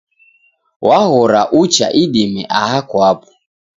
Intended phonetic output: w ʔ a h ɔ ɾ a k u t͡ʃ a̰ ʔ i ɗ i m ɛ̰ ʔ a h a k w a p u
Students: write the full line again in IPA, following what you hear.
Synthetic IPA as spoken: w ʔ a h ɔ ɾ a ʔ u t͡ʃ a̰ ʔ i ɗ i m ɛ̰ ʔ a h a k w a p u